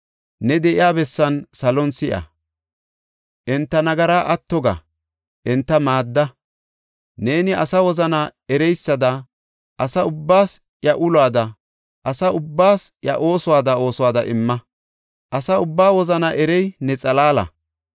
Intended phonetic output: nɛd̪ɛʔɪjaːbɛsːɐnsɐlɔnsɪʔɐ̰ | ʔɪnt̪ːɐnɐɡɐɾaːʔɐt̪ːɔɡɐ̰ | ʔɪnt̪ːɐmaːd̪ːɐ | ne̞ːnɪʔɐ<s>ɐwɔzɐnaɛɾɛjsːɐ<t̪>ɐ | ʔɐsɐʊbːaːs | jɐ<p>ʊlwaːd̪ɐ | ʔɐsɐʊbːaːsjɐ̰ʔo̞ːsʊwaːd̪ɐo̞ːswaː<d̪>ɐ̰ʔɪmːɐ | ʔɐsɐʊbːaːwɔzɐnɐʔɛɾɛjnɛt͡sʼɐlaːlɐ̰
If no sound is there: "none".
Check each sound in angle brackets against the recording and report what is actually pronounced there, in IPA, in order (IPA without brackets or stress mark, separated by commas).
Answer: s, d̪, ʔ, d̪